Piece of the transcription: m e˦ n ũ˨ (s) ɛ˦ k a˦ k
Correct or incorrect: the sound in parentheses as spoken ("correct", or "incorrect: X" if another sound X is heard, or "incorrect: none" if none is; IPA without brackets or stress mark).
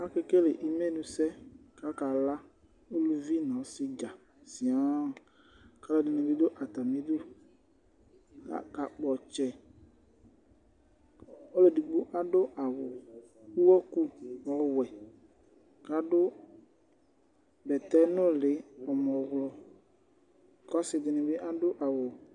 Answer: correct